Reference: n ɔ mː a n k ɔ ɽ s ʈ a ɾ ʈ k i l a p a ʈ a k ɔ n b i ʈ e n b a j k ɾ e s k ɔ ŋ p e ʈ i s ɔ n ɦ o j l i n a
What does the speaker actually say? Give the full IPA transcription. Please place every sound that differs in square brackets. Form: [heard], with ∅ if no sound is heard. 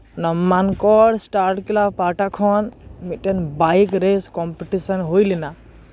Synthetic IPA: n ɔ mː a n k ɔ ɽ s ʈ a ɾ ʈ k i l a p a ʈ a [kʰ] ɔ n [m] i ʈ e n b a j k ɾ e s k ɔ [m] p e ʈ i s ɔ n ɦ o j l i n a